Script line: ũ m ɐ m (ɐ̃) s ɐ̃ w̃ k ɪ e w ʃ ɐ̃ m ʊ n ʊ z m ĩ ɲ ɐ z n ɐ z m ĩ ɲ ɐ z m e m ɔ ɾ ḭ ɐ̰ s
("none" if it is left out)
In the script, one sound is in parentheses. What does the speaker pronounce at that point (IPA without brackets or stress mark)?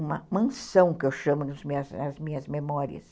ɐ̃